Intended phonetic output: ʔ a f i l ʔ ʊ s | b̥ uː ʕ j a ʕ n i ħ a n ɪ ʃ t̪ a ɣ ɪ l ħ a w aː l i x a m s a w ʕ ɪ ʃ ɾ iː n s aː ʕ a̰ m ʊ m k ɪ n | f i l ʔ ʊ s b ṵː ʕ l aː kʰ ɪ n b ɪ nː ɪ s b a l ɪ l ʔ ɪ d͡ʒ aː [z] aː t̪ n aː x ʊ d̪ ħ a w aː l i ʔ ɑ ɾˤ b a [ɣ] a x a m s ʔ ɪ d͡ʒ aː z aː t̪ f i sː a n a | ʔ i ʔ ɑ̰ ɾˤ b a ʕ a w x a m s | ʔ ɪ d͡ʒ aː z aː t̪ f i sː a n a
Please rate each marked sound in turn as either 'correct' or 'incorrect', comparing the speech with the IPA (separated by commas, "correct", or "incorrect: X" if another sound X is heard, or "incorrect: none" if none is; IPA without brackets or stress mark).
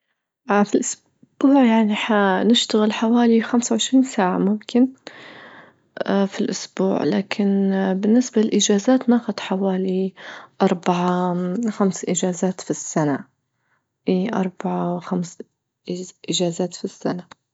correct, incorrect: ʕ